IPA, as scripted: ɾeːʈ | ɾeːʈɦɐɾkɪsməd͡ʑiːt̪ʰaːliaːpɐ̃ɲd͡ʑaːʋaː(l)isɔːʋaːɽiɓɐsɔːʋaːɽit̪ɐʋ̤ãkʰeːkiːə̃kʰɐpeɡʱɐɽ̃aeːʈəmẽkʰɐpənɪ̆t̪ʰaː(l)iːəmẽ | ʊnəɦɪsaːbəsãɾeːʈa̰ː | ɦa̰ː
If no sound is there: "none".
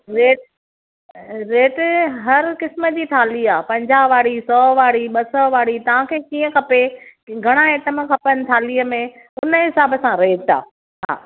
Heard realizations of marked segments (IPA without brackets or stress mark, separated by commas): ɽ, l